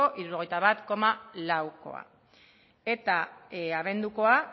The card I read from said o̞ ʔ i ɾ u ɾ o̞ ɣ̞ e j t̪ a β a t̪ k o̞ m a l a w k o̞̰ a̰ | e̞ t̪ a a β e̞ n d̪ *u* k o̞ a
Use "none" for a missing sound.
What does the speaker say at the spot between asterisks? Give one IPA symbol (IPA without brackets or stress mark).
u